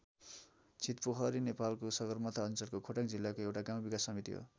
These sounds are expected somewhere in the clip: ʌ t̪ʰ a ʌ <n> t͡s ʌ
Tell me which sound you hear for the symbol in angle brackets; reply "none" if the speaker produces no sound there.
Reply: n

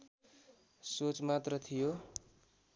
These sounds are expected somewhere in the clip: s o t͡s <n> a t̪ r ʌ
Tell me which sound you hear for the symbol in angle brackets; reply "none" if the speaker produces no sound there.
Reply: m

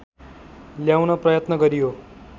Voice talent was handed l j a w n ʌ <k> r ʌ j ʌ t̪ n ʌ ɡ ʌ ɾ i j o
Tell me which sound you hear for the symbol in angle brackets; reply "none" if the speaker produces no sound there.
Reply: p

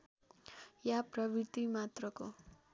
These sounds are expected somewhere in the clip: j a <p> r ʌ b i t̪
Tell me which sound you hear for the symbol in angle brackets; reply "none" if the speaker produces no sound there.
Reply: p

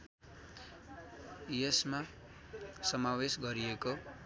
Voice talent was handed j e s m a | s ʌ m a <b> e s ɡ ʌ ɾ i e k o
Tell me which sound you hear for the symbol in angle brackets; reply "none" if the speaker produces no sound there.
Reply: w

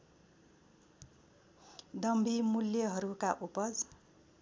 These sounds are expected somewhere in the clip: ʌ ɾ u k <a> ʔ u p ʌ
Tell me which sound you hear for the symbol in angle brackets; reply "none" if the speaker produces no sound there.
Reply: a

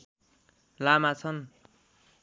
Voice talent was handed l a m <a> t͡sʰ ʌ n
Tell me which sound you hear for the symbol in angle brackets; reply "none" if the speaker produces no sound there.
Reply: a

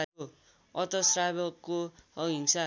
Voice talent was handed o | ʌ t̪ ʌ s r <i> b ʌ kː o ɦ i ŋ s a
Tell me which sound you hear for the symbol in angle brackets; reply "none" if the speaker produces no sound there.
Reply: a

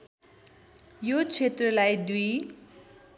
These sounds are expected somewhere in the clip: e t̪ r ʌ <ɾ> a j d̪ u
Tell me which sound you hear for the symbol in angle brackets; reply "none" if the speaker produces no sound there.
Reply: l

